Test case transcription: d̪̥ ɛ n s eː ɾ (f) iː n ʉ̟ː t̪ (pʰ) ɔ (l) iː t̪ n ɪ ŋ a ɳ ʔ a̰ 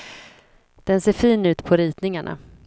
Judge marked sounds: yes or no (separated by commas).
yes, yes, no